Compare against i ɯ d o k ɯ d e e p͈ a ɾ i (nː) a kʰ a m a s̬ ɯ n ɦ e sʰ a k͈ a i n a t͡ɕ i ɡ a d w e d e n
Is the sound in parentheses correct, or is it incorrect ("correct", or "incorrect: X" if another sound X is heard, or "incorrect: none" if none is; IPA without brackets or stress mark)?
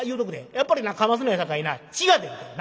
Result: incorrect: n